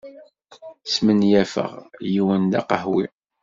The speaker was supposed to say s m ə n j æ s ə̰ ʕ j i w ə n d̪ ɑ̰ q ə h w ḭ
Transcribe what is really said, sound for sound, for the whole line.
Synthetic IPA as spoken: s m ə n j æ f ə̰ ʁ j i w ə n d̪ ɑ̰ q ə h w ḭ